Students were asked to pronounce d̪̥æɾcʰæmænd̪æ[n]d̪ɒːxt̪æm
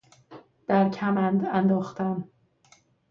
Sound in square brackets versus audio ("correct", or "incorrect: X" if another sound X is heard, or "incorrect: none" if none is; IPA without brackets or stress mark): correct